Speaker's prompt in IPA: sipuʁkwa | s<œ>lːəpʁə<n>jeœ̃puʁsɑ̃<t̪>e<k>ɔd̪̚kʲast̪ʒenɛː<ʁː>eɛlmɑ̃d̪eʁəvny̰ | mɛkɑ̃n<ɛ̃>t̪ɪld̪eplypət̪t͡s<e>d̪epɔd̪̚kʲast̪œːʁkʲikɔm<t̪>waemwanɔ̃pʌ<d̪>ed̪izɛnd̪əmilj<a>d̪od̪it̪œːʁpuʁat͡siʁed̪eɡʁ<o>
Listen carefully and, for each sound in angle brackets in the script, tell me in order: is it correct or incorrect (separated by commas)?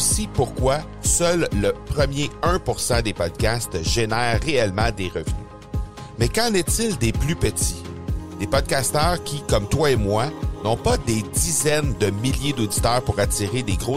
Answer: correct, incorrect, incorrect, incorrect, correct, incorrect, incorrect, correct, correct, incorrect, correct